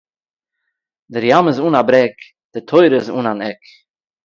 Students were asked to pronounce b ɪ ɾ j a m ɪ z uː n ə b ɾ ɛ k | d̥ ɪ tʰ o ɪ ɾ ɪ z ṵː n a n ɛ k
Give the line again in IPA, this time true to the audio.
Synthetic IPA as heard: d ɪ ɾ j a m ɪ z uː n a b ɾ ɛ k | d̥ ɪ tʰ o ɪ ɾ ɪ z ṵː n a n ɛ k